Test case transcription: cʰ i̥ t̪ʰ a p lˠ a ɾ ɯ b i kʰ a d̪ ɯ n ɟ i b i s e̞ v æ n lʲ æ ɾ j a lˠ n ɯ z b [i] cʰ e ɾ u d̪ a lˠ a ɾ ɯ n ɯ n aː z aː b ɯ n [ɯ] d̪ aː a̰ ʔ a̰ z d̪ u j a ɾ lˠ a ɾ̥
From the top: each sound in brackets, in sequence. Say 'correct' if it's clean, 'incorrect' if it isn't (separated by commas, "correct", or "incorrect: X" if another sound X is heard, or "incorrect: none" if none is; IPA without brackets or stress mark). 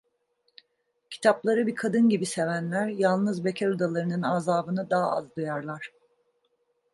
incorrect: e, correct